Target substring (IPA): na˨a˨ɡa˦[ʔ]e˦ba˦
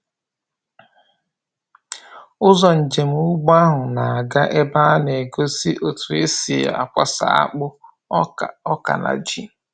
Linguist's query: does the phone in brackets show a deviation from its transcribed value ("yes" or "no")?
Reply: no